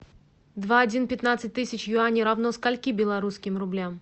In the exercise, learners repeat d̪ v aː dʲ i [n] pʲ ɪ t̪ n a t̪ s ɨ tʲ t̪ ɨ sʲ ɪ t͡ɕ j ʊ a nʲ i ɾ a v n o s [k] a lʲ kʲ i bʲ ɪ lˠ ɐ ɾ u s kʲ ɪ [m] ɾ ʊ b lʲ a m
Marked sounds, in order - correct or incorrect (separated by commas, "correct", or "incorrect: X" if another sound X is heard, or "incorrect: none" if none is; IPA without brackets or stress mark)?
correct, correct, correct